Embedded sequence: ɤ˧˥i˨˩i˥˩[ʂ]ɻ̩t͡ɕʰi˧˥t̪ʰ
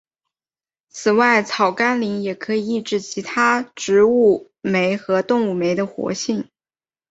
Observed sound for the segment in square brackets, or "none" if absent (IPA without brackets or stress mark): ʈ͡ʂ